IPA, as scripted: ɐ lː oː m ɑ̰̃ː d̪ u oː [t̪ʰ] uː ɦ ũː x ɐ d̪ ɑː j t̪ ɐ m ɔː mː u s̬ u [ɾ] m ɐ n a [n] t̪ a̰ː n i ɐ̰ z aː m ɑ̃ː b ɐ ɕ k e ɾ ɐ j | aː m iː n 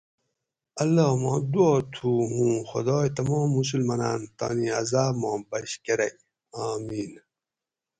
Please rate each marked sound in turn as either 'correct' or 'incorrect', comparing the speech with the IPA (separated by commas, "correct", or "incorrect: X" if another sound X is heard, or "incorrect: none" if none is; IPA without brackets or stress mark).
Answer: correct, incorrect: l, correct